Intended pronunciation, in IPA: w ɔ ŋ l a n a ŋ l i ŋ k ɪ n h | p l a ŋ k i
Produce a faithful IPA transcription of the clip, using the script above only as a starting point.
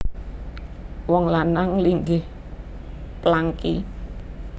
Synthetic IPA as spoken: w ɔ ŋ l a n a ŋ l i ŋ ɡ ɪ h | p l a ŋ k i